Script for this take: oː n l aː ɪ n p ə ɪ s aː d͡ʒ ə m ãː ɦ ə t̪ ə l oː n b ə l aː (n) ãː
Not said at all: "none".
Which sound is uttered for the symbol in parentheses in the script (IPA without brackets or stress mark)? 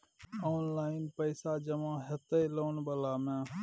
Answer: m